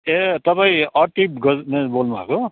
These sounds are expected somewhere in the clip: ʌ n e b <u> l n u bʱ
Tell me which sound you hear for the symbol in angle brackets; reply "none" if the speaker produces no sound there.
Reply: o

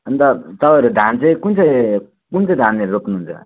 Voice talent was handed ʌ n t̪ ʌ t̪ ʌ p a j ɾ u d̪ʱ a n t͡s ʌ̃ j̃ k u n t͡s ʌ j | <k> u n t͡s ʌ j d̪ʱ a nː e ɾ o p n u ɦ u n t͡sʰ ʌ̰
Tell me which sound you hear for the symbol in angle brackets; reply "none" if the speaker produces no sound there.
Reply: k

